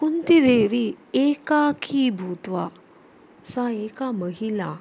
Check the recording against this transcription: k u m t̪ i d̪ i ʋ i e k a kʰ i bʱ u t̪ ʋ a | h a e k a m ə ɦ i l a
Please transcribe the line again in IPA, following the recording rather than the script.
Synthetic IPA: k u n t̪ i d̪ e ʋ i e k a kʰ i bʱ u t̪ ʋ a | s a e k a m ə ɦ i l a